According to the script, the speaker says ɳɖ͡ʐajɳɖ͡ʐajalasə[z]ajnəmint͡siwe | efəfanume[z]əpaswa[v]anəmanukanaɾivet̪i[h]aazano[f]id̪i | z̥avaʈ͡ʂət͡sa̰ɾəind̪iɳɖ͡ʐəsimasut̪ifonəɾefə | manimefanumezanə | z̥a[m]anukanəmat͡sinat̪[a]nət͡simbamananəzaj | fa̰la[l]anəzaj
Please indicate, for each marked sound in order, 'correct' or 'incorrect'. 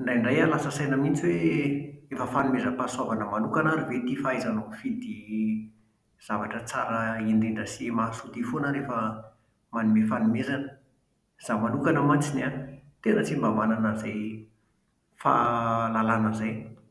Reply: incorrect: s, correct, correct, incorrect: f, correct, correct, incorrect: e, correct

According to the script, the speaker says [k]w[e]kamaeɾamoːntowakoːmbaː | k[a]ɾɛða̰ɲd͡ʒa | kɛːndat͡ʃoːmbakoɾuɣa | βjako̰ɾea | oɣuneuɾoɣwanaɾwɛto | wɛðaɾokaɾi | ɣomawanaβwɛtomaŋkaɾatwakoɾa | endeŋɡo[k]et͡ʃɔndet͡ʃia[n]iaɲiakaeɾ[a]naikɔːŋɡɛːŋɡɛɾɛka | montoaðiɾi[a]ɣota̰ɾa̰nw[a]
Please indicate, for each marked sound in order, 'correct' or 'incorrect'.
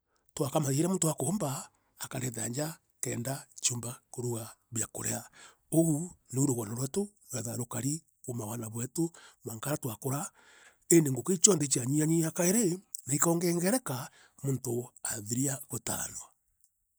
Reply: incorrect: t, incorrect: a, correct, correct, incorrect: ɲ, incorrect: e, correct, correct

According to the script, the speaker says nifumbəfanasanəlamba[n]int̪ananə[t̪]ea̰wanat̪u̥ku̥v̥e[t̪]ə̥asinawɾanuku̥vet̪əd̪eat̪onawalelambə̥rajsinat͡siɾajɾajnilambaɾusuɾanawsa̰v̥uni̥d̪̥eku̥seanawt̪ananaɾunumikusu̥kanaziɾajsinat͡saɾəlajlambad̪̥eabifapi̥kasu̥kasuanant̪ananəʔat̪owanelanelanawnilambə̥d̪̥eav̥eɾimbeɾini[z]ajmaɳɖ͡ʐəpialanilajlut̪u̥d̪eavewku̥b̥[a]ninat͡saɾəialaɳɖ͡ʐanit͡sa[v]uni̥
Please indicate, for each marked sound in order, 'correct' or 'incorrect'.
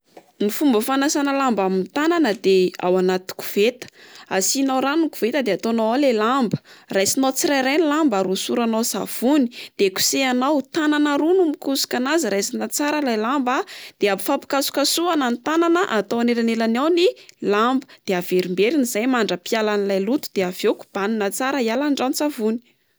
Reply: incorrect: m, incorrect: d̪, correct, correct, correct, correct

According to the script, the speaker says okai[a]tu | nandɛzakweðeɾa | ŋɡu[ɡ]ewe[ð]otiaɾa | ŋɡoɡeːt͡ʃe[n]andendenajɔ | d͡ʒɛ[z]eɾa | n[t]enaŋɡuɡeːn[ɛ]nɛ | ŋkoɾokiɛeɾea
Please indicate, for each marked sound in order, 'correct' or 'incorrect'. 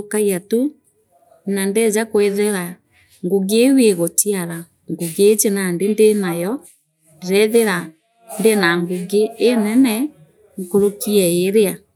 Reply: correct, correct, incorrect: ɣ, correct, incorrect: ð, incorrect: d, correct

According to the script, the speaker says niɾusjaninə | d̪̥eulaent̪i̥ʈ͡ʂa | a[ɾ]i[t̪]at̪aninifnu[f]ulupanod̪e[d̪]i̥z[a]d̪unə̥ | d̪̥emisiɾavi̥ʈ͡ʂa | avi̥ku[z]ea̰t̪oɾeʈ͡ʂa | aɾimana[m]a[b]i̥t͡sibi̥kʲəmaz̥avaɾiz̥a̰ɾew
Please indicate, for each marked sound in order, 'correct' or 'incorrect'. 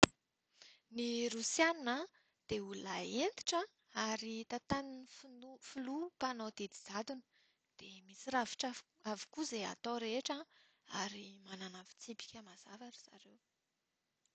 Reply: correct, correct, correct, correct, correct, correct, incorrect: n, incorrect: v

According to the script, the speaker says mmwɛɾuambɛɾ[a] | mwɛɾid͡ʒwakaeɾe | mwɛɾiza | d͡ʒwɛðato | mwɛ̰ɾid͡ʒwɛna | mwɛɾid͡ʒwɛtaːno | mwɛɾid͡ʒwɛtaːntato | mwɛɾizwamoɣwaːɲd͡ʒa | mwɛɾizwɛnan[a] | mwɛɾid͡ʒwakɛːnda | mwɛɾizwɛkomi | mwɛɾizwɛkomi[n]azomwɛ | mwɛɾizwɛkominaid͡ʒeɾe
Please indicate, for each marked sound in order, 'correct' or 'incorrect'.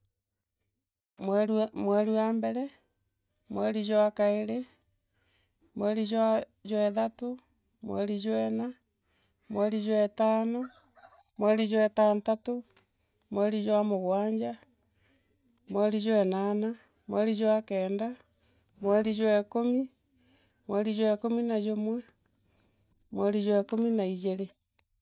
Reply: incorrect: ɛ, correct, correct

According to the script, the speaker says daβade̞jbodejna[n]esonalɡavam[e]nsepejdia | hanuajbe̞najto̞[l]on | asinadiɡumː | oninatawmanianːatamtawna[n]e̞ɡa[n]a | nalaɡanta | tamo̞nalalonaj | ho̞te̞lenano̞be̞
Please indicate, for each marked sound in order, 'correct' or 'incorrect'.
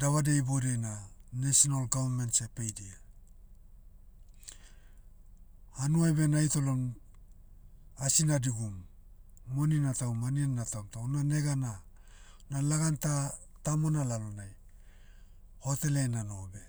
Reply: correct, correct, correct, correct, correct

